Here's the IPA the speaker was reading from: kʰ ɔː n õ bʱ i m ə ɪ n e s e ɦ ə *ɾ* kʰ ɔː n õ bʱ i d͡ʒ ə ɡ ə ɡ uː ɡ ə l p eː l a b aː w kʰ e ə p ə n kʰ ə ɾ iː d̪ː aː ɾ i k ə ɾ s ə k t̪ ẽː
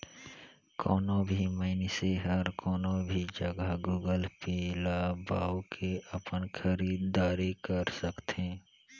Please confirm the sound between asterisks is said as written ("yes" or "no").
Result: yes